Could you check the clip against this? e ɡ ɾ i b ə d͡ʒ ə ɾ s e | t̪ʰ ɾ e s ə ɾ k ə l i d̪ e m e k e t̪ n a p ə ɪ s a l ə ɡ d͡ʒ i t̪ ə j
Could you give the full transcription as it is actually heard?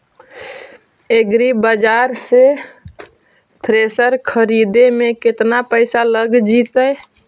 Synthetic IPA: e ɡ ɾ i b ə d͡ʒ a ɾ s e | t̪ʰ ɾ e s ə ɾ kʰ ə ɾ i d̪ e m e k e t̪ n a p ə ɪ s a l ə ɡ d͡ʒ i t̪ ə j